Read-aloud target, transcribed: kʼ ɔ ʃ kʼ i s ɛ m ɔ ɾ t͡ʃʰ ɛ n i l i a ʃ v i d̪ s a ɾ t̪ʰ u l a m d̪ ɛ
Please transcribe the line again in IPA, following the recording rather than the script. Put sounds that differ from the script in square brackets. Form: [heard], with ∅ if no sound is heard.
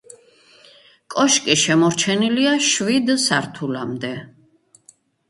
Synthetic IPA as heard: kʼ ɔ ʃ kʼ i [ʃ] ɛ m ɔ ɾ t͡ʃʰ ɛ n i l i a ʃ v i d̪ s a ɾ t̪ʰ u l a m d̪ ɛ